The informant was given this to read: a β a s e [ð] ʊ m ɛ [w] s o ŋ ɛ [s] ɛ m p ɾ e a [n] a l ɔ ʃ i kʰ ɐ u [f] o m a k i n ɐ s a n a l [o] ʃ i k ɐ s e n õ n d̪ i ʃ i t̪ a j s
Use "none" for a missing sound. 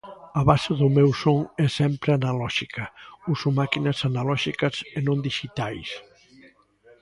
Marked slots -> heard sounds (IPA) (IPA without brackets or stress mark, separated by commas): ð, w, s, n, s, ɔ